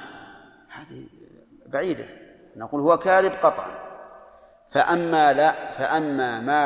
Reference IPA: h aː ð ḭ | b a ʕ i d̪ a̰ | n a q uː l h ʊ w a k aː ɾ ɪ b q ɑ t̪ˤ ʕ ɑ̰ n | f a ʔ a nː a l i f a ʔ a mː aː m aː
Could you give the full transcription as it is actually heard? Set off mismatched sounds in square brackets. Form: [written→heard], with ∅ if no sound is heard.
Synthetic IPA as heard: h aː ð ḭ | b a ʕ [i→iː] d̪ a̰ | n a q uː l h ʊ w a k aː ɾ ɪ b q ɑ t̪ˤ ʕ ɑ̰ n | f a ʔ a [nː→mː] a l [i→a] f a ʔ a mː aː m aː